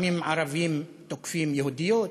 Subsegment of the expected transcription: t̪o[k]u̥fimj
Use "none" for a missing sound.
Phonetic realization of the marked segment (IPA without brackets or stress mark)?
k